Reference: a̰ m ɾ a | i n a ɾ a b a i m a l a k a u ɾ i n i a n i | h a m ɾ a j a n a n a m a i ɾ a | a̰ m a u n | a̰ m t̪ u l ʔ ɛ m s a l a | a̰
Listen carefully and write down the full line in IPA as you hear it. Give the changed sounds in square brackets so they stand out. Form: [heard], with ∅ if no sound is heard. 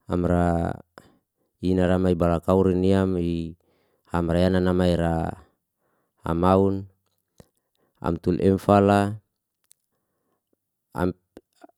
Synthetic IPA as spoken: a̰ m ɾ a | i n a ɾ a [m] a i [b] a l a k a u ɾ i n i a [m] i | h a m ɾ a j a n a n a m a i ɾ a | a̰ m a u n | a̰ m t̪ u l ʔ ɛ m [f] a l a | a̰